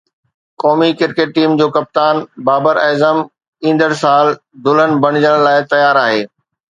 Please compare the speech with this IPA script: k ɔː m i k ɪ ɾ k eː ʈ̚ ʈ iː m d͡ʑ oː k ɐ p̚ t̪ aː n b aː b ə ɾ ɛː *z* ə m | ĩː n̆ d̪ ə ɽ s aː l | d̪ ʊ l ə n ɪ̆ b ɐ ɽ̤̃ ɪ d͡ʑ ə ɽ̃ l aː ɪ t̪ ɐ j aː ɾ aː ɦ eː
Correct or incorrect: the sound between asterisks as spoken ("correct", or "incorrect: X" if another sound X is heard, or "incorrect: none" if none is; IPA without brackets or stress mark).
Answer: correct